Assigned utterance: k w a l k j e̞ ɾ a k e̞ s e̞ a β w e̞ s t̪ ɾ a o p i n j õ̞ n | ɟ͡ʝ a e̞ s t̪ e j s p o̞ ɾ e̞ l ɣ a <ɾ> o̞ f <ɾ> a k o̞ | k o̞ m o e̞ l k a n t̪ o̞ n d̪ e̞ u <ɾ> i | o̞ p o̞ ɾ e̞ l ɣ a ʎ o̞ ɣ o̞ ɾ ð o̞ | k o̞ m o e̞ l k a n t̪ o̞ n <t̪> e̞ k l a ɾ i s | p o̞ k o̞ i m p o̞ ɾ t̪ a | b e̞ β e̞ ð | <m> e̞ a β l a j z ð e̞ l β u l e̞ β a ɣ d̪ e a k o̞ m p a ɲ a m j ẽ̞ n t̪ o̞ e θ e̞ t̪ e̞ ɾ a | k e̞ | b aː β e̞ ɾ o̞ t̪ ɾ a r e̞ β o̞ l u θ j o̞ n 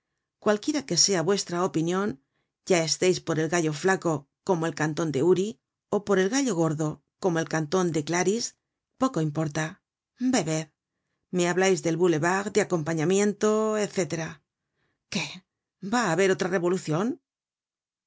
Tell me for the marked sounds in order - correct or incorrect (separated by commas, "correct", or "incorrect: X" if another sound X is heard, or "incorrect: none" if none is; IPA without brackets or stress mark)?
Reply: incorrect: ʎ, incorrect: l, correct, incorrect: d̪, correct